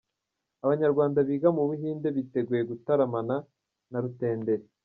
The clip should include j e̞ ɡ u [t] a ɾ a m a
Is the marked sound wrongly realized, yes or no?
no